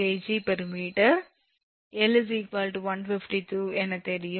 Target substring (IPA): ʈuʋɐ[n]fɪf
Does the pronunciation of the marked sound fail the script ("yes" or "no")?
no